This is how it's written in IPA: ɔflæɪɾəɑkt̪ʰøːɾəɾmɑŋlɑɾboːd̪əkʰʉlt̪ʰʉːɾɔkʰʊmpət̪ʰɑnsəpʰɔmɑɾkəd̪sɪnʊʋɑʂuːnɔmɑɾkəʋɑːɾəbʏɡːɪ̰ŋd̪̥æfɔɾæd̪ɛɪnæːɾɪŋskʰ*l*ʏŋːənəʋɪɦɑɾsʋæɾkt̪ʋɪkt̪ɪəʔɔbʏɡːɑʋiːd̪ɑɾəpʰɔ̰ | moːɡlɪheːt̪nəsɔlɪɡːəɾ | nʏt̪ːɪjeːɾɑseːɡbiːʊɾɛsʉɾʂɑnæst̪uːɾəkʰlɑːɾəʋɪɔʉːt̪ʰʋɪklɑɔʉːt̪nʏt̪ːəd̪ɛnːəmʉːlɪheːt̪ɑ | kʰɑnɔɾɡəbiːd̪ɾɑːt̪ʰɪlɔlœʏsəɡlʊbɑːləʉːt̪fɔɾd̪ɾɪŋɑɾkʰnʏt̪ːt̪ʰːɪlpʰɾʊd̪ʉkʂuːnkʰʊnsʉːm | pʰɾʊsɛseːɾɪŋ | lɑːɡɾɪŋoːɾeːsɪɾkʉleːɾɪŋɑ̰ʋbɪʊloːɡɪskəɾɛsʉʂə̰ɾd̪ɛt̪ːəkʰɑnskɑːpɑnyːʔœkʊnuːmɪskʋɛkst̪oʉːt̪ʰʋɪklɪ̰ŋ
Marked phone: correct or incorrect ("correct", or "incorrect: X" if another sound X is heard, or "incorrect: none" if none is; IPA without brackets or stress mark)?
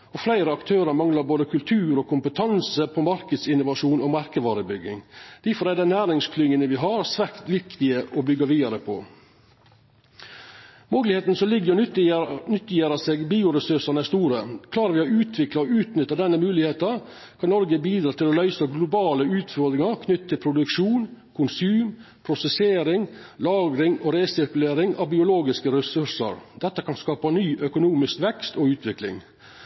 correct